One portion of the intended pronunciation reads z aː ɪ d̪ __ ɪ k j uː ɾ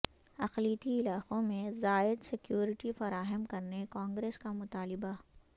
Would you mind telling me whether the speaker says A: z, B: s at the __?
B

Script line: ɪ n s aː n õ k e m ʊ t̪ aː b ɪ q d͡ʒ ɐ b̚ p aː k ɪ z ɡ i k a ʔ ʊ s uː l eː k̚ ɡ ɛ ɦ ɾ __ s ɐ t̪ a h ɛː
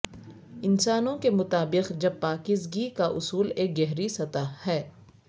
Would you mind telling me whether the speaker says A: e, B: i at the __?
B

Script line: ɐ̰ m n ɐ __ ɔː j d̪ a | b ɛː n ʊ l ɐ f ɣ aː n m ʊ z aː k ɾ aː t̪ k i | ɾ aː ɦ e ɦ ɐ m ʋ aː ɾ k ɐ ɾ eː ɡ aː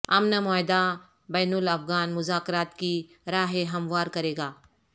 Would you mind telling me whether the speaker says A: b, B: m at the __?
B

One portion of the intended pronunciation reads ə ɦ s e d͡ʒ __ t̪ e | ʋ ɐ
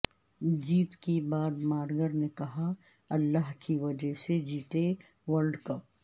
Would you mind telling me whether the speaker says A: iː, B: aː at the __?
A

